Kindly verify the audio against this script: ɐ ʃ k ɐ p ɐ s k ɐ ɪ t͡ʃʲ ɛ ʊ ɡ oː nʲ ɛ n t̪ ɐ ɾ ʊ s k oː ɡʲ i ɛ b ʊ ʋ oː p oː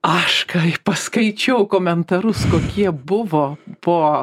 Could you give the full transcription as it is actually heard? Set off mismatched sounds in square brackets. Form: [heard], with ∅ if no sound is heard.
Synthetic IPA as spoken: ɐ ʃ k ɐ p ɐ s k ɐ ɪ t͡ʃʲ ɛ ʊ [k] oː [mʲ] ɛ n t̪ ɐ ɾ ʊ s k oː [kʲ] i ɛ b ʊ ʋ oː p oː